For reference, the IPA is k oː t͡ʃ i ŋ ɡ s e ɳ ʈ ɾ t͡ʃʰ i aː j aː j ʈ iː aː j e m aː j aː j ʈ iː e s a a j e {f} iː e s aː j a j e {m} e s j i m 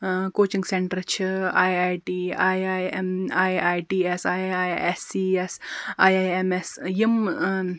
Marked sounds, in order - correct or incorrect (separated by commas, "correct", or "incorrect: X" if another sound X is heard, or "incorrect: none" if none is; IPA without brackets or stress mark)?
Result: incorrect: s, correct